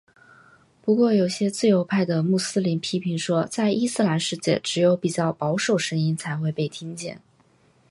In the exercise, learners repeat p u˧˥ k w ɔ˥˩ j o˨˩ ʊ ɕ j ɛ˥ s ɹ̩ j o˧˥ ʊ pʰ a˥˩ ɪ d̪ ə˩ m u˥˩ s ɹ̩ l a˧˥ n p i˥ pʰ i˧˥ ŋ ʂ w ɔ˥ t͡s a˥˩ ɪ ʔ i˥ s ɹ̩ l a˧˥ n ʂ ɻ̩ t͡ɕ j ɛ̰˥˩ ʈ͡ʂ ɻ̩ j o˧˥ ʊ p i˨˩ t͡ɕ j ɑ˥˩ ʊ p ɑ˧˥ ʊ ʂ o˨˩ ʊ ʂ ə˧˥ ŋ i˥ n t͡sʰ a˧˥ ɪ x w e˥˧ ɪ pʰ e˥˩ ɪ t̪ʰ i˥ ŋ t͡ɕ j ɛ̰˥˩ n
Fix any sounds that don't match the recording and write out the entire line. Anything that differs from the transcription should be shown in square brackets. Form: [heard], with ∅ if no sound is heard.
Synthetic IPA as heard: p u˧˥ k w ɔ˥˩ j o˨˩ ʊ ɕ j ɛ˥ [t͡s] ɹ̩ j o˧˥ ʊ pʰ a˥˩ ɪ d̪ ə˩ m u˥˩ s ɹ̩ l [i˧˥] n [pʰ] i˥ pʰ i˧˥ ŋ ʂ w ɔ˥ t͡s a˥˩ ɪ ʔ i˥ s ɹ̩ l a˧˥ n ʂ ɻ̩ t͡ɕ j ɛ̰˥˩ ʈ͡ʂ ɻ̩ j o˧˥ ʊ p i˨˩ t͡ɕ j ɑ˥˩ ʊ p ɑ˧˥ ʊ ʂ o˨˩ ʊ ʂ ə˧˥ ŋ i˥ n t͡sʰ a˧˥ ɪ x w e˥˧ ɪ [p] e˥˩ ɪ t̪ʰ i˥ ŋ t͡ɕ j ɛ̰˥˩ n